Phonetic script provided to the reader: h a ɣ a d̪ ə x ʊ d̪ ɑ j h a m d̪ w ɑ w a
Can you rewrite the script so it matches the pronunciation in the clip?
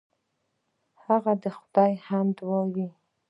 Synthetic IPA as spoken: h a ɣ a d̪ ə x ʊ d̪ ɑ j h a m d̪ w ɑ w i